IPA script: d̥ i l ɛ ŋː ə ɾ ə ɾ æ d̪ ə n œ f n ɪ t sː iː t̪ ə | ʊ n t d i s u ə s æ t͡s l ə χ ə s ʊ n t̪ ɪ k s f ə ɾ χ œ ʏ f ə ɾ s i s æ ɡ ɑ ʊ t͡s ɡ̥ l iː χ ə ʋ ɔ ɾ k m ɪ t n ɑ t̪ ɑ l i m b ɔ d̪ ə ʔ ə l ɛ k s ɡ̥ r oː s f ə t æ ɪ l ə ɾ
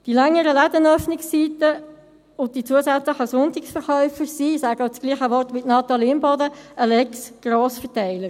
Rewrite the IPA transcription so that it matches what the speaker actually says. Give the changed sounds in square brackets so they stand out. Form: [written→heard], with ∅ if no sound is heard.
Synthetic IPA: d̥ i l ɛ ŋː ə ɾ ə [ɾ→l] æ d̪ ə n œ f n ɪ [t→k] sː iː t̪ ə | ʊ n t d i [s→t͡s] u ə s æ t͡s l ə χ ə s ʊ n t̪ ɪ k s f ə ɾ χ œ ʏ f ə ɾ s i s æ ɡ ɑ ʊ t͡s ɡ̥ l iː χ ə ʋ ɔ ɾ [k→t] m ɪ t n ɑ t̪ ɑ l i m b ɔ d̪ ə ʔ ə l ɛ k s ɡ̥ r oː s f ə t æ ɪ l ə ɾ